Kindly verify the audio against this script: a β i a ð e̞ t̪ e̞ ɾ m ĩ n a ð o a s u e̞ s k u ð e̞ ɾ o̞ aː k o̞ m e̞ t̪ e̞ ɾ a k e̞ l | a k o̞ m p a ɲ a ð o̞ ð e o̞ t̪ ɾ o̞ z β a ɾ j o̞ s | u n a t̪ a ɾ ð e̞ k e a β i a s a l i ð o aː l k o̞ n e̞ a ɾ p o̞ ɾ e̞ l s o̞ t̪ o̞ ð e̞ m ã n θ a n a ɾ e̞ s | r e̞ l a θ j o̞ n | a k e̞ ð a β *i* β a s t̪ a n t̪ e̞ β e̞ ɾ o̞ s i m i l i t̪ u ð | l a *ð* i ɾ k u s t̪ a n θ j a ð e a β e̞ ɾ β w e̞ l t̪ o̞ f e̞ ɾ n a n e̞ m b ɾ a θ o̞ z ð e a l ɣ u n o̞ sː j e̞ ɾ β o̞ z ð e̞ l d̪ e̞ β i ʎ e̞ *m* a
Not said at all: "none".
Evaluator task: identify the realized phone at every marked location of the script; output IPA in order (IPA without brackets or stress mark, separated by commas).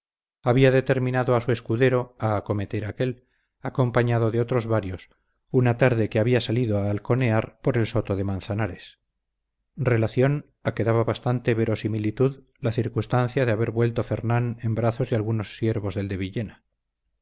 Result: a, θ, n